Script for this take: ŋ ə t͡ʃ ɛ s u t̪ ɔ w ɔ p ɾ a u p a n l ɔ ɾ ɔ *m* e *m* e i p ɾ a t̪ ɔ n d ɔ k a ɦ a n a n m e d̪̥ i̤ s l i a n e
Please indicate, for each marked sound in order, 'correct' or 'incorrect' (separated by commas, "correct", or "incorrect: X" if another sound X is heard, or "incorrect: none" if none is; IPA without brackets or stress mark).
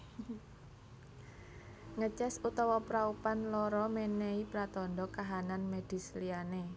correct, incorrect: n